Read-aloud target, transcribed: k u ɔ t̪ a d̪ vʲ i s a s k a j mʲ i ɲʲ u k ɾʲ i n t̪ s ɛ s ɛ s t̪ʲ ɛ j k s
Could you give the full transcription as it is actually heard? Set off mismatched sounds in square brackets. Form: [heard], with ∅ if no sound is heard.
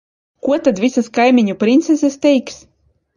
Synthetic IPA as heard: k u ɔ t̪ a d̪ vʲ i s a s k a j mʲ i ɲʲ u [p] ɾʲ i n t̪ s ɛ s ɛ s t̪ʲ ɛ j k s